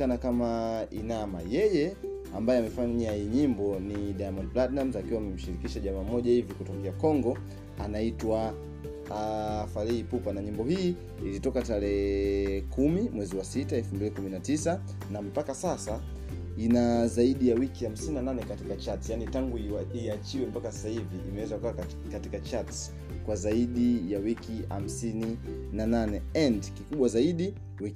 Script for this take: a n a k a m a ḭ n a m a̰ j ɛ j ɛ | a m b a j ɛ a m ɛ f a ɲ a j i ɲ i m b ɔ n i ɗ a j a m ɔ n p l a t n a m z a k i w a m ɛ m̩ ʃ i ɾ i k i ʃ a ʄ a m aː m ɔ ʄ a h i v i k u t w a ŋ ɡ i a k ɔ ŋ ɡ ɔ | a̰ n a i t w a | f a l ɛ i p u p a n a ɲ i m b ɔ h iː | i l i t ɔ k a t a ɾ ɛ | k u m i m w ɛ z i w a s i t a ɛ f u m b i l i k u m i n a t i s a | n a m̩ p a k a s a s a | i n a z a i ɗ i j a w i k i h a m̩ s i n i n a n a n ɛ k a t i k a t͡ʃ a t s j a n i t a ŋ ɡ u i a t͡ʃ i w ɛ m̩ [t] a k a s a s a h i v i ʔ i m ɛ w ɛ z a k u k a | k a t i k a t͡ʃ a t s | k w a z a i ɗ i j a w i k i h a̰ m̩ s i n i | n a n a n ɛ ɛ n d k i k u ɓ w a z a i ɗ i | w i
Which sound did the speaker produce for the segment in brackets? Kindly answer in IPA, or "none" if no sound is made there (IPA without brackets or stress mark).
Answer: p